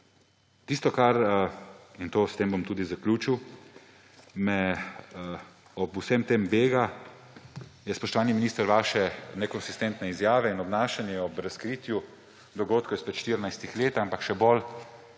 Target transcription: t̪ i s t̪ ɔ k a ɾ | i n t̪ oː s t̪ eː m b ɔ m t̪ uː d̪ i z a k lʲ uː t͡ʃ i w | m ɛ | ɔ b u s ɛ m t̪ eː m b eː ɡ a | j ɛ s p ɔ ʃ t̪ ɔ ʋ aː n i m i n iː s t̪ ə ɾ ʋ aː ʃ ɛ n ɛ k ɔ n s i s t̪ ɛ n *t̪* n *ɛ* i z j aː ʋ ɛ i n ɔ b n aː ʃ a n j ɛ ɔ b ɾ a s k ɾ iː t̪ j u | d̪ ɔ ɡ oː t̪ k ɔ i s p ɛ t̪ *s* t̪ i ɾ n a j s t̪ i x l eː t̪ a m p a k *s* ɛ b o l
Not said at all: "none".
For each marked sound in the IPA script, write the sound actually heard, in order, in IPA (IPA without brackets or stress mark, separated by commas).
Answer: t̪, ɛ, ʃ, ʃ